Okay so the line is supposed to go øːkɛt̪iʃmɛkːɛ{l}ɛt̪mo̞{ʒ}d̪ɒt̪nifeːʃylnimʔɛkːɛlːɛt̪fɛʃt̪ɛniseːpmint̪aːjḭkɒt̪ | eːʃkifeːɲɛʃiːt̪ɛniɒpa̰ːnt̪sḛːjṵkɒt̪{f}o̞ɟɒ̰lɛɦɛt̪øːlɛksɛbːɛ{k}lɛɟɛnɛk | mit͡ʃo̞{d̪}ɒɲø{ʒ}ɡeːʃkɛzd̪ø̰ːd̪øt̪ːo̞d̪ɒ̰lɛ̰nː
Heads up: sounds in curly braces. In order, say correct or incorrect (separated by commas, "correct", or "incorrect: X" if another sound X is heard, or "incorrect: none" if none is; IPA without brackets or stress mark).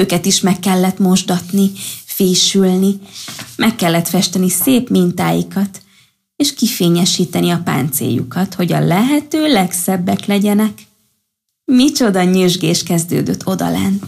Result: incorrect: lː, correct, incorrect: h, correct, correct, correct